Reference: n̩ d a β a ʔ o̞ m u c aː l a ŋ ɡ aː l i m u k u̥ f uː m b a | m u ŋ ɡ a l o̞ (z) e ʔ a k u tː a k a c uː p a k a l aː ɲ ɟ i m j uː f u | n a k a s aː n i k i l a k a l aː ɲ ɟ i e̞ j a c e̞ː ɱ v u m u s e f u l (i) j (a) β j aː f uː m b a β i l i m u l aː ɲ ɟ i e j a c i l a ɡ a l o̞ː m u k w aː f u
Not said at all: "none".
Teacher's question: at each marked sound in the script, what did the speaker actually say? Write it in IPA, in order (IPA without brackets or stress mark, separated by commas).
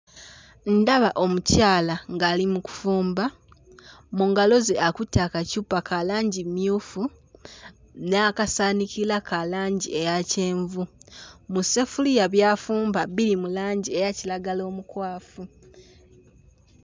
z, i, a